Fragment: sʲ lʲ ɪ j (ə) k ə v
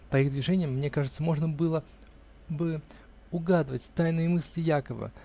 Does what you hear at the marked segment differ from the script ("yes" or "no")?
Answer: yes